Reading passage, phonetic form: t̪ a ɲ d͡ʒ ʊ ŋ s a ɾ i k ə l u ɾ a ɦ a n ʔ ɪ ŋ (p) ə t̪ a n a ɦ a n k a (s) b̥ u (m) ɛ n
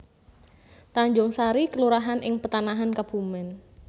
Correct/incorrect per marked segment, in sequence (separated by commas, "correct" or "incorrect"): correct, incorrect, correct